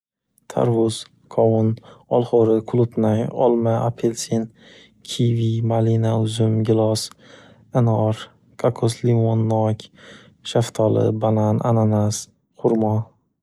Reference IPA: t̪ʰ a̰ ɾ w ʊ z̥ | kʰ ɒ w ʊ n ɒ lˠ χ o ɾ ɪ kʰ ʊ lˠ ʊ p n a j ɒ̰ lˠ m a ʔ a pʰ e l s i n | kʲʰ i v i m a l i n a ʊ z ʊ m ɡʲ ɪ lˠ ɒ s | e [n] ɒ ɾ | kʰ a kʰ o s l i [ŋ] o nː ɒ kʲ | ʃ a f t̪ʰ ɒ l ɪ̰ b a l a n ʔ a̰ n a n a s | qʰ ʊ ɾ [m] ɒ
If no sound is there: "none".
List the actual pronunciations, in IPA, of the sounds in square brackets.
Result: n, m, m

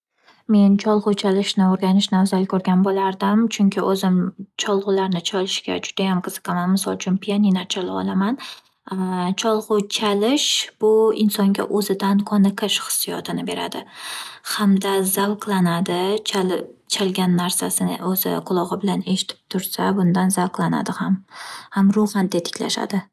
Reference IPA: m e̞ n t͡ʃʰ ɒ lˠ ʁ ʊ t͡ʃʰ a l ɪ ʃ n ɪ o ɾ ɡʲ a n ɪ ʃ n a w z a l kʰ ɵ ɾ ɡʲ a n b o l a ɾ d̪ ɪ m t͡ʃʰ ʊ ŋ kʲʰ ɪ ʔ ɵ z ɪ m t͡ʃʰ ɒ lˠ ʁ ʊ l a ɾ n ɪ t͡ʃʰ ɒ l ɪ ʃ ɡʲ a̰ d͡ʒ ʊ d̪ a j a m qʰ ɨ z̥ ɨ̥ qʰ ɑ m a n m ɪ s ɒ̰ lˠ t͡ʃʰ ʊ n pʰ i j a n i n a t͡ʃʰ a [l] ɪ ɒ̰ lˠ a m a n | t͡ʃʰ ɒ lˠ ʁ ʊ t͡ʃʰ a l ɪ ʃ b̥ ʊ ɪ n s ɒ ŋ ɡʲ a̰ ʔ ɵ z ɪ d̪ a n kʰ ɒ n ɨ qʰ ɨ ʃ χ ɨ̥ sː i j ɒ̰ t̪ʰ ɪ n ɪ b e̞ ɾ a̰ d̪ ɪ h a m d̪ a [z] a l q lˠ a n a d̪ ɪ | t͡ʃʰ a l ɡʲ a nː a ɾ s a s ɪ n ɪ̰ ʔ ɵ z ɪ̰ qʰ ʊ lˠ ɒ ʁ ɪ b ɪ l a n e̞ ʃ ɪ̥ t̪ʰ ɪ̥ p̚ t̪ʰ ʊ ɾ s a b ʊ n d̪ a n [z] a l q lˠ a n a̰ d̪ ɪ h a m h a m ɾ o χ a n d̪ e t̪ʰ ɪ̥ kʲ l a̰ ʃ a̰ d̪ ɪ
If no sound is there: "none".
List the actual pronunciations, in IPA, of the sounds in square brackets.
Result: l, z, z

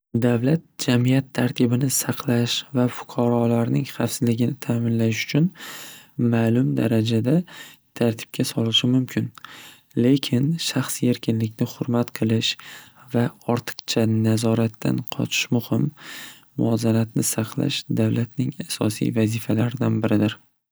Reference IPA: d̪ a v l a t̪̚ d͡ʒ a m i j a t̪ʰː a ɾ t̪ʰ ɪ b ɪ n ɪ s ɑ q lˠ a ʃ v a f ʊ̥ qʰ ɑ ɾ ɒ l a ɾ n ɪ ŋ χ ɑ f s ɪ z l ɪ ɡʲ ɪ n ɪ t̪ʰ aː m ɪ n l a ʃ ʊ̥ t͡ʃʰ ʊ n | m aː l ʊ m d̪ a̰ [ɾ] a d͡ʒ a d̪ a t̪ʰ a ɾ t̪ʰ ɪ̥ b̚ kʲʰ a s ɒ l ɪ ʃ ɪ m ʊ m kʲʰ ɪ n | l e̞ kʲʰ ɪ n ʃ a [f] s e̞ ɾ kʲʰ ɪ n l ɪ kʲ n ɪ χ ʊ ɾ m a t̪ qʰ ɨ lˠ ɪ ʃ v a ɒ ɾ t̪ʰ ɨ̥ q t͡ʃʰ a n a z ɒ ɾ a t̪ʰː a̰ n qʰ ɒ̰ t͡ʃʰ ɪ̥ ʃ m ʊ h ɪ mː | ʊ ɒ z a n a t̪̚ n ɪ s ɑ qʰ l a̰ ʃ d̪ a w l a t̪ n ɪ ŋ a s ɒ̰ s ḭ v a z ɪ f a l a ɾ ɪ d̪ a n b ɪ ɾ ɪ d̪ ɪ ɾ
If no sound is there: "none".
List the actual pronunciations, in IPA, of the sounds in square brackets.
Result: ɾ, χ

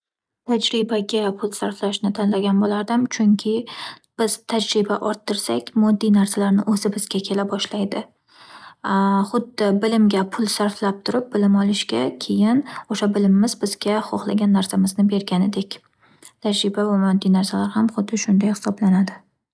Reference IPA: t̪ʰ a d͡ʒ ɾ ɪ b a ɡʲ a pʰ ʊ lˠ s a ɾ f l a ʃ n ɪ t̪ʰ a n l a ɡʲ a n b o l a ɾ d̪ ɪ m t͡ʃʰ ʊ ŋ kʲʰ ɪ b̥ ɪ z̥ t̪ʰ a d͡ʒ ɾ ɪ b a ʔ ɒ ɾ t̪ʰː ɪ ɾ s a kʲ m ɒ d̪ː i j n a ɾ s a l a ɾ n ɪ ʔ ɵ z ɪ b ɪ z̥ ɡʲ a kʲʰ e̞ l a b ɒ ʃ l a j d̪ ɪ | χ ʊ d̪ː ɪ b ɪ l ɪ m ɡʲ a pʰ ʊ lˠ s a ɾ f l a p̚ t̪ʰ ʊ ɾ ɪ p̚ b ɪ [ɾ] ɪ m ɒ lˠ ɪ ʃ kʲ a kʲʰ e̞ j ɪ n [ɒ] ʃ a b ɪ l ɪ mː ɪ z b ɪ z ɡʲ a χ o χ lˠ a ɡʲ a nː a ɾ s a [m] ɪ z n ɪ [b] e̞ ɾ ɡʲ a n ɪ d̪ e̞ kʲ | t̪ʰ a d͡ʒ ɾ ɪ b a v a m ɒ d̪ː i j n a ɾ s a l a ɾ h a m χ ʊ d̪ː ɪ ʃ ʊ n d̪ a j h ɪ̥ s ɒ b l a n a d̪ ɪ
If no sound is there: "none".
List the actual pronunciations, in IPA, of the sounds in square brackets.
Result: l, o, m, b

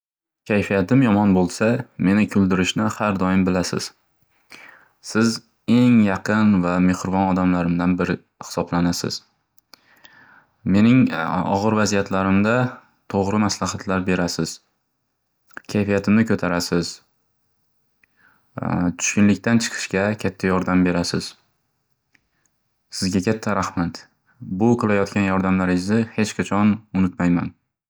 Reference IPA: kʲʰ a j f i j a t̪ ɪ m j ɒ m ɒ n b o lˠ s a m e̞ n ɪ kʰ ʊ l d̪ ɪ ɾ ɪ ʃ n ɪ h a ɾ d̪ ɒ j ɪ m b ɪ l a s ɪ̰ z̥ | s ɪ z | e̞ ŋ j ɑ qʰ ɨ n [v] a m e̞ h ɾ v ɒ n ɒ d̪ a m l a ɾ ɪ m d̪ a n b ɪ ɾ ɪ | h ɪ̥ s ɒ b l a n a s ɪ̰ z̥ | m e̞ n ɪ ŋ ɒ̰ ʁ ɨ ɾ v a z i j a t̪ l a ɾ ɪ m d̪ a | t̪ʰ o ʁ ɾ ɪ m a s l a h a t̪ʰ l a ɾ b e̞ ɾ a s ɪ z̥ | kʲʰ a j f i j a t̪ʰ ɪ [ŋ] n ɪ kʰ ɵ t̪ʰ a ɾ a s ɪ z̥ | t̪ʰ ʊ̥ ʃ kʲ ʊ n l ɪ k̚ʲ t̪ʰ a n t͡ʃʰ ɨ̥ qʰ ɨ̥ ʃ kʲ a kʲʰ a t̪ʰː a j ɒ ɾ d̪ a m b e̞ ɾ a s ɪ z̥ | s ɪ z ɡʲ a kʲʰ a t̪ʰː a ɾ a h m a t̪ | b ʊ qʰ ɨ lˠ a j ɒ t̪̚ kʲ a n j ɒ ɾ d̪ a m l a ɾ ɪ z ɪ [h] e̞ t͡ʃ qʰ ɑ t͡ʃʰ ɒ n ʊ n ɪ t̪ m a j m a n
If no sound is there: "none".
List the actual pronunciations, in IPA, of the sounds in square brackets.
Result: v, m, h

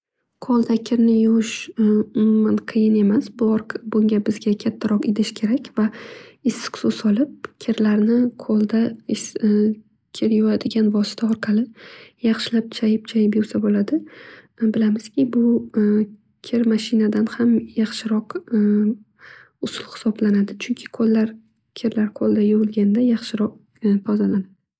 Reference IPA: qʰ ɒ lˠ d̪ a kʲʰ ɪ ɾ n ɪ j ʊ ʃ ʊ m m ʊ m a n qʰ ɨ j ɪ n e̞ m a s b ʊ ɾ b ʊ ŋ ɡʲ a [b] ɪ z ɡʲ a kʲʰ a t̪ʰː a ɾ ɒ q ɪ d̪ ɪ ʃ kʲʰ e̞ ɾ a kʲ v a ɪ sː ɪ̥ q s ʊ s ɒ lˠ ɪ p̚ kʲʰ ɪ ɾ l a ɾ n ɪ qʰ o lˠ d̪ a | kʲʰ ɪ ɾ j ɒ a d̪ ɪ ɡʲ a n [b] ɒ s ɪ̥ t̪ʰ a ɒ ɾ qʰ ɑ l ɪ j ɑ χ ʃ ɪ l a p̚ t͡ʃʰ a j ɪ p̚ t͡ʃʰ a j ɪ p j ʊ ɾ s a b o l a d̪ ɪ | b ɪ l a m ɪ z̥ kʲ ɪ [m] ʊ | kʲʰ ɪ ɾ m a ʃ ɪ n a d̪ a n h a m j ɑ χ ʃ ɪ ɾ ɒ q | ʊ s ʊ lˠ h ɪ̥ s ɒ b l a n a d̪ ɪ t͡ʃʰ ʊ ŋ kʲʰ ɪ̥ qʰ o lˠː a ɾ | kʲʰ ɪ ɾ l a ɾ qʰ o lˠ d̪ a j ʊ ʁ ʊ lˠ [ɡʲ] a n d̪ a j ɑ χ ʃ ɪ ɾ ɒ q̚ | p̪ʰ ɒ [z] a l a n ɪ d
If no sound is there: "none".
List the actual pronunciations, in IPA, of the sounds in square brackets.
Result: b, v, b, ɡʲ, z

